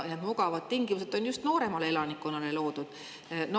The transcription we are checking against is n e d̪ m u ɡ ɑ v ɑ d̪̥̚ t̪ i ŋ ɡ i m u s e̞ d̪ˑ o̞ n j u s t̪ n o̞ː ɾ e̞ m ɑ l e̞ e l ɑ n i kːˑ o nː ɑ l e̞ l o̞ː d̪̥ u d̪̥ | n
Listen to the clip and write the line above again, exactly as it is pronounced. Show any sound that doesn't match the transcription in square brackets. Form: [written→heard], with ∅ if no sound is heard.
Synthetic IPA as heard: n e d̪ m u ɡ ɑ v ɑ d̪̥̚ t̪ i ŋ ɡ i m u s e̞ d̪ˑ o̞ n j u s t̪ n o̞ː ɾ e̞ m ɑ l e̞ e l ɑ n i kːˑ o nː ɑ l e̞ l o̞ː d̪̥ u d̪̥ | n